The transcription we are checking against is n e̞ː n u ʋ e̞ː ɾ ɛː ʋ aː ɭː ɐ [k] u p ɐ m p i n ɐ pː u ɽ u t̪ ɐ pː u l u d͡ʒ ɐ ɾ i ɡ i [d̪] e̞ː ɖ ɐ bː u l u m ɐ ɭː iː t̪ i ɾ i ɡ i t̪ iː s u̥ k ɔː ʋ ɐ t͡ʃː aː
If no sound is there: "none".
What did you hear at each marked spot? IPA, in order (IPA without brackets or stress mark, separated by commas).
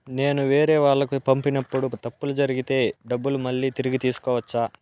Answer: k, t̪